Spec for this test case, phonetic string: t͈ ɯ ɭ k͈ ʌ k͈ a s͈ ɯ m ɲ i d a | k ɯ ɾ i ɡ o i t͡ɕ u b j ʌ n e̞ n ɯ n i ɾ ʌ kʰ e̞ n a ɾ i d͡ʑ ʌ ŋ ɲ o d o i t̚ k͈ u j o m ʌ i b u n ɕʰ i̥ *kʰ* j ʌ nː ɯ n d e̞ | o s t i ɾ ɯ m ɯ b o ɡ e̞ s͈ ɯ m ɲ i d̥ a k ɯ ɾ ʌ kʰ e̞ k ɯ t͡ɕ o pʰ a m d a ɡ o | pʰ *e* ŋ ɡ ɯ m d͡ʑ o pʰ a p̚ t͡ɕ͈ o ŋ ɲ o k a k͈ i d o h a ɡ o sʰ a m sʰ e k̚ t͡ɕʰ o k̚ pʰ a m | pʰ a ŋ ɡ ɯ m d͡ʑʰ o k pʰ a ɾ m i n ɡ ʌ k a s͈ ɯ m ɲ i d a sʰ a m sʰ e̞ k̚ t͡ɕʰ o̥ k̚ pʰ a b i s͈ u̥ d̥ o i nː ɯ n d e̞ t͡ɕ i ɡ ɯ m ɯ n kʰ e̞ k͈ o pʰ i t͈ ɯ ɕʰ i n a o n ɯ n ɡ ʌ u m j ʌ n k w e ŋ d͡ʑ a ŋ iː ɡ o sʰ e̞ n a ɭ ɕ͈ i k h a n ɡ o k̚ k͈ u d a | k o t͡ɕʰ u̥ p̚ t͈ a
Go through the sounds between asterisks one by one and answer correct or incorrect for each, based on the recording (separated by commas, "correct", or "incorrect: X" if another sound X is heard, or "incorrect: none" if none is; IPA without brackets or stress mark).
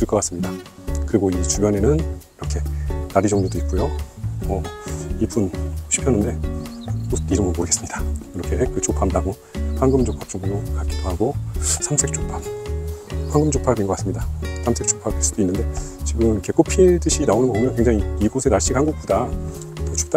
incorrect: pʰ, incorrect: a